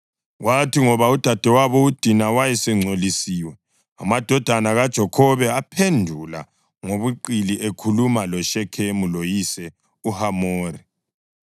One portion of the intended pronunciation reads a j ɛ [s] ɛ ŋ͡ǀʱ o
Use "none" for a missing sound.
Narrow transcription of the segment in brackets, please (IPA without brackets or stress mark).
s